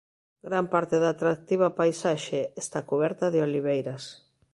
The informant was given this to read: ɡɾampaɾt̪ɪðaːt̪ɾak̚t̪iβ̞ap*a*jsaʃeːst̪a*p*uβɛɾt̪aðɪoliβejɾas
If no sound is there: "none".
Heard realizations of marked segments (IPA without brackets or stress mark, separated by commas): a, k